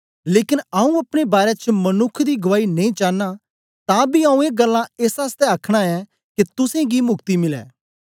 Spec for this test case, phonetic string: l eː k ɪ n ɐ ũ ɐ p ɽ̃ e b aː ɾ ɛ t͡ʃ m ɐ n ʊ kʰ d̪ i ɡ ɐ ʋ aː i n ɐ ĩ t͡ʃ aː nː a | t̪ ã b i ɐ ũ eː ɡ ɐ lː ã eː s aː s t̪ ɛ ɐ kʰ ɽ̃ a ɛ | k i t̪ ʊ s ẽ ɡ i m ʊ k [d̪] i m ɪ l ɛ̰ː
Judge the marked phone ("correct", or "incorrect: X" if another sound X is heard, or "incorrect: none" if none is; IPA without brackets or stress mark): incorrect: t̪